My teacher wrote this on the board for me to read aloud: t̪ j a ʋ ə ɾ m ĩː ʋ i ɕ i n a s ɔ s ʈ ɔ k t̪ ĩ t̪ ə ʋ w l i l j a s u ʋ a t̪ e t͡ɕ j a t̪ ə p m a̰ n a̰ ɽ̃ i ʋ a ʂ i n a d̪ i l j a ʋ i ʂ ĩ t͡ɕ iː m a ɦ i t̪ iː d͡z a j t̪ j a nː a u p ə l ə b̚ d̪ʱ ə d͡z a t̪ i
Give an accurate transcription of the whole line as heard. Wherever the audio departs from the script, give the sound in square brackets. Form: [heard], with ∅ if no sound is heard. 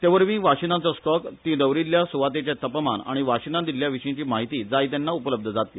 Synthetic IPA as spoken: t̪ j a ʋ ə ɾ m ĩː ʋ [a] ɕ i n a [t͡s] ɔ s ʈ ɔ k t̪ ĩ [d̪] ə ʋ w [ɾ] i l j a s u ʋ a t̪ e t͡ɕ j a t̪ ə p m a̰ n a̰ ɽ̃ i ʋ a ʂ i n a d̪ i l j a ʋ i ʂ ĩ t͡ɕ iː m a ɦ i t̪ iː d͡z a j t̪ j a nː a u p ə l ə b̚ d̪ʱ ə d͡z a t̪ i